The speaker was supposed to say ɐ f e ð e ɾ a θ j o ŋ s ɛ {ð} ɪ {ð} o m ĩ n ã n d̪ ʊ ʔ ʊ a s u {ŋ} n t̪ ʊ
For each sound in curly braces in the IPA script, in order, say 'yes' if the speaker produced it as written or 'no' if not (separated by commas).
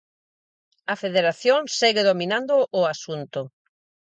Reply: no, yes, no